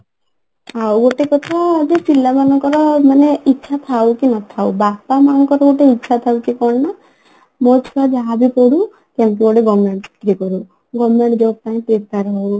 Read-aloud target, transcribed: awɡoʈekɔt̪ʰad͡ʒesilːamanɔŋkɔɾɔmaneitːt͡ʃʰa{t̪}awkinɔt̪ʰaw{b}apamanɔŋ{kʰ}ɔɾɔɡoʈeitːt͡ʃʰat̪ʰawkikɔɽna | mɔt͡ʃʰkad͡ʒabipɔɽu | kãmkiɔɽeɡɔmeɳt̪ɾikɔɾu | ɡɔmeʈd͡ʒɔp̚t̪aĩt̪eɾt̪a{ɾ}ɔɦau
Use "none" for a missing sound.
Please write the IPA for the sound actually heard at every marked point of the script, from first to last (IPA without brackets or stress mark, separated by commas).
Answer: t̪ʰ, b, k, ɾ